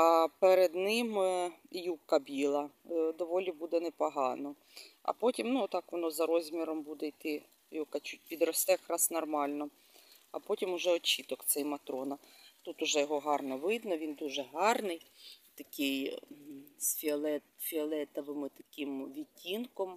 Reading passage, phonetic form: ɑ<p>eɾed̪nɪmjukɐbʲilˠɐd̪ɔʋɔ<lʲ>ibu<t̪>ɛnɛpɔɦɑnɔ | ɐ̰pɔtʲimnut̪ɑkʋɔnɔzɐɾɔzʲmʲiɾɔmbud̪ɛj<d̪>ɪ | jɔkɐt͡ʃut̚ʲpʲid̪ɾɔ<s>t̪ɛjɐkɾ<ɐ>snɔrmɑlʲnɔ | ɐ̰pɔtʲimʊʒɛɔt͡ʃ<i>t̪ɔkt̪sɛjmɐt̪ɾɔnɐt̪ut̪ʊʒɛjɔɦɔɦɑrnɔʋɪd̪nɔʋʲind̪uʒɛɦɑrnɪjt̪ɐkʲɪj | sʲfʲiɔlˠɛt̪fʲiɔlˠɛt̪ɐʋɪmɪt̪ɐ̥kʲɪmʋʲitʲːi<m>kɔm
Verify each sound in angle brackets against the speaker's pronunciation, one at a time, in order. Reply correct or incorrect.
correct, correct, incorrect, incorrect, correct, incorrect, correct, incorrect

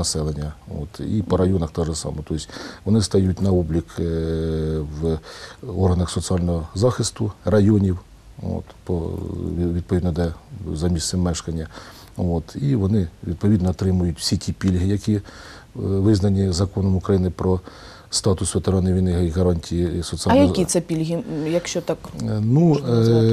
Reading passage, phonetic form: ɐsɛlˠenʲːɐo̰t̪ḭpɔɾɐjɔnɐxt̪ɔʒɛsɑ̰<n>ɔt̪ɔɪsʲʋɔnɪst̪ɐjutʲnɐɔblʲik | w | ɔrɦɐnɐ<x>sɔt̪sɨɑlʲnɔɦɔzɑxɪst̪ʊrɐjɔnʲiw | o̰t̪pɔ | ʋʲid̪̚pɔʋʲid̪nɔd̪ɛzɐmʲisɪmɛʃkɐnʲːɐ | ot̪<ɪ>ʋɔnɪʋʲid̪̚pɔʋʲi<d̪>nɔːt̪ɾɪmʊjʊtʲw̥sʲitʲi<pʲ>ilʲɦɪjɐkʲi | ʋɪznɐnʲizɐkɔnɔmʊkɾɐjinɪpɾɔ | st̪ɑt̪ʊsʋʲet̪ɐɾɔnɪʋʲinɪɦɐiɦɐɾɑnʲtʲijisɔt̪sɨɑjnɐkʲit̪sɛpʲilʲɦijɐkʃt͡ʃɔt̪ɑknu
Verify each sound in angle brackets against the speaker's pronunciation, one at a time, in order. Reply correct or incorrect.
incorrect, correct, incorrect, correct, correct

